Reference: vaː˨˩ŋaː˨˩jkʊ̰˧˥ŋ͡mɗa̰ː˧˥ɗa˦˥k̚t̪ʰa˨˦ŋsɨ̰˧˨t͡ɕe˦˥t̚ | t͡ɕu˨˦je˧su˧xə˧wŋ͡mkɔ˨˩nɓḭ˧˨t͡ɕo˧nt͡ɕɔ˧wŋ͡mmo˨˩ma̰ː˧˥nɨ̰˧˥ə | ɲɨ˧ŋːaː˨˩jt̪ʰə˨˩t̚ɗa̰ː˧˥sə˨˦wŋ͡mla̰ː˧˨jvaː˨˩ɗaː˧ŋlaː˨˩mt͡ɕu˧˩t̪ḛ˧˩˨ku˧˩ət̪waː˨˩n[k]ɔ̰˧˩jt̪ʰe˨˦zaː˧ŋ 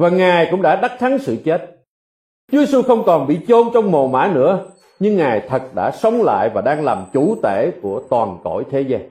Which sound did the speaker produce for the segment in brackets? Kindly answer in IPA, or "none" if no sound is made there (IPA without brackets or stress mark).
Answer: k